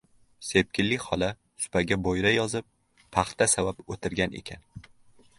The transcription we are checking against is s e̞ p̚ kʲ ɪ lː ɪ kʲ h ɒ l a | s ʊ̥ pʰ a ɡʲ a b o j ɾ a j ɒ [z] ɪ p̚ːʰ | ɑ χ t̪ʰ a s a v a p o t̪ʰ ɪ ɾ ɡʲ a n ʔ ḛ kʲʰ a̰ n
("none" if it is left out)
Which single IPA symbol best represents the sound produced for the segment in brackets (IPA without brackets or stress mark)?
z